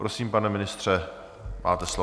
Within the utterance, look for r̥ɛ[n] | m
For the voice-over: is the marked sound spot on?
no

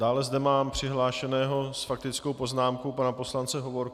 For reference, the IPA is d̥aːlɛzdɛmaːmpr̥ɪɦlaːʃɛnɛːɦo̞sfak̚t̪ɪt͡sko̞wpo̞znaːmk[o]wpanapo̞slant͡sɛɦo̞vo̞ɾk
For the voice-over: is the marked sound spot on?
yes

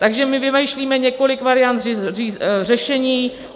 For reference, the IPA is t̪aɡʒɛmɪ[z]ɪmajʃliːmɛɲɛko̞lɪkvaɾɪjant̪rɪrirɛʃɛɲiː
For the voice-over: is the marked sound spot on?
no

